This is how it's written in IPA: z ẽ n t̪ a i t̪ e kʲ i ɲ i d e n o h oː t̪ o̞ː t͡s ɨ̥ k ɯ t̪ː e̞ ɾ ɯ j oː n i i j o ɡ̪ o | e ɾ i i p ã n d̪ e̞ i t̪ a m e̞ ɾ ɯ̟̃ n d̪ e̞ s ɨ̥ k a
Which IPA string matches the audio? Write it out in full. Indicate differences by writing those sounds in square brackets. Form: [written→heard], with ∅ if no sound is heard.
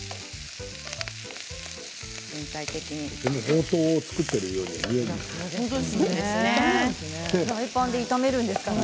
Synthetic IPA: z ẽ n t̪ a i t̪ e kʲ i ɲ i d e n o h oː t̪ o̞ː t͡s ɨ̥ k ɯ t̪ː e̞ ɾ ɯ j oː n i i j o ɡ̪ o | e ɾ [i→a] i p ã n d̪ e̞ i t̪ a m e̞ ɾ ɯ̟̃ n d̪ e̞ s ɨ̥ k a